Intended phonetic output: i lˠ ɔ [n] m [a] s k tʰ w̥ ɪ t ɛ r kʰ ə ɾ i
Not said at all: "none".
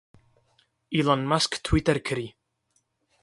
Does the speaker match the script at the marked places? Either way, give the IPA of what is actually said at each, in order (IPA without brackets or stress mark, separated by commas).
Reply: n, a